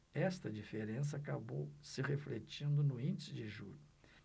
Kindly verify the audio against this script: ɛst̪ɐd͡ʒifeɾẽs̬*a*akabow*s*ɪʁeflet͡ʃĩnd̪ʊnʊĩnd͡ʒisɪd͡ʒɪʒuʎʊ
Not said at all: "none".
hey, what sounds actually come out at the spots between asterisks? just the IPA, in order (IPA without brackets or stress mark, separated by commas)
ɐ, s